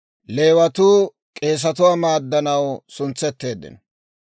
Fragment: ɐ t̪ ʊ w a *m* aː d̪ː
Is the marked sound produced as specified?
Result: yes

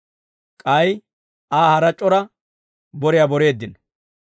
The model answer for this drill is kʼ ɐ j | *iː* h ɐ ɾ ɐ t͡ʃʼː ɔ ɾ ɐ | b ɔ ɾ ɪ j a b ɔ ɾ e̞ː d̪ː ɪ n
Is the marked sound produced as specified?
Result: no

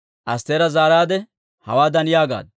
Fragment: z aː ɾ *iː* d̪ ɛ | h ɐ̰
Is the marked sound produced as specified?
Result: no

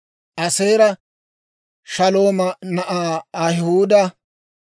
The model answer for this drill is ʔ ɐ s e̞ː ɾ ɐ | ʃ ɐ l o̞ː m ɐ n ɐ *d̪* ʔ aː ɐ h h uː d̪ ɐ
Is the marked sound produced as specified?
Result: no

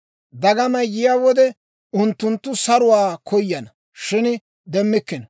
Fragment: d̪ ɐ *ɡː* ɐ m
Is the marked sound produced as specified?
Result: no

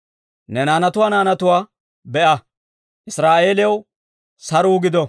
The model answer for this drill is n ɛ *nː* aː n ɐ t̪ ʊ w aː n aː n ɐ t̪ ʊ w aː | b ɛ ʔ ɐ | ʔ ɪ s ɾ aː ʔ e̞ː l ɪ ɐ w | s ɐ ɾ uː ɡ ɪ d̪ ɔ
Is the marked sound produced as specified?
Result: no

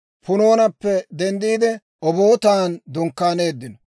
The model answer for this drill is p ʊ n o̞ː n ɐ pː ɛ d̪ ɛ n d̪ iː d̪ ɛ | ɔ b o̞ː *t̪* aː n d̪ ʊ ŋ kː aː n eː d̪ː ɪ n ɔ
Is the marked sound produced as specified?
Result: yes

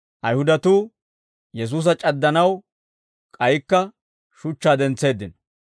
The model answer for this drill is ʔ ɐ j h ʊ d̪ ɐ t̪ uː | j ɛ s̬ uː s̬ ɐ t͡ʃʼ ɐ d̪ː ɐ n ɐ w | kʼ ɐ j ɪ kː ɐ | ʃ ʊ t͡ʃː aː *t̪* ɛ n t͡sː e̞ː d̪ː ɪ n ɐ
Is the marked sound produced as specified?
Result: no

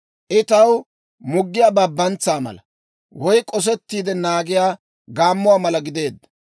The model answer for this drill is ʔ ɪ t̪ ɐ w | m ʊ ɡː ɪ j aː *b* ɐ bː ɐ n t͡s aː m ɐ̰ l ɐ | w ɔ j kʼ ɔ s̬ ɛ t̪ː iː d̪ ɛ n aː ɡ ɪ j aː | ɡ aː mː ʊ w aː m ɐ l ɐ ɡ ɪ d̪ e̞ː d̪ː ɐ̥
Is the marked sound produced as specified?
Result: yes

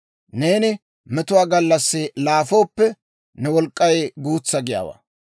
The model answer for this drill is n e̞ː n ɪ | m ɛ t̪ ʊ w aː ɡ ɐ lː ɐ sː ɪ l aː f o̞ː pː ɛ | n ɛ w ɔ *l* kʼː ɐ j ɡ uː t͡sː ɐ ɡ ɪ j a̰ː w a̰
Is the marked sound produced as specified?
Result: yes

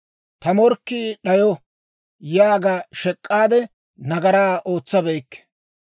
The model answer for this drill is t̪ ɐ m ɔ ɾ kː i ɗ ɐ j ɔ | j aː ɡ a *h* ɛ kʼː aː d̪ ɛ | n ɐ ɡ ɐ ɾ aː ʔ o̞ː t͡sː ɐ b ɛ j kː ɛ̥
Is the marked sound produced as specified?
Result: no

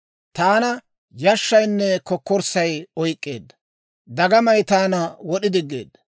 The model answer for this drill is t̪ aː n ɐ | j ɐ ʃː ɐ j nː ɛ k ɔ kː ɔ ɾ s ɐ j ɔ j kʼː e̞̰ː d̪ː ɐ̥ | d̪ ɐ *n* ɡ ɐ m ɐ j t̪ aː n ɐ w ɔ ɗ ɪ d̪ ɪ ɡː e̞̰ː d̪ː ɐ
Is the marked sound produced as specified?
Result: no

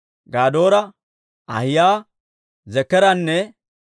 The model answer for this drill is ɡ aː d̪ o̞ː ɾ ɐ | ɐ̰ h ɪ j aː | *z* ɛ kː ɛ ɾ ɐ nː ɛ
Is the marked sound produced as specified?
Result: yes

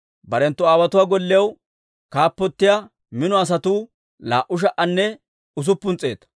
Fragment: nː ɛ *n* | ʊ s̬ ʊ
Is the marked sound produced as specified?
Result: no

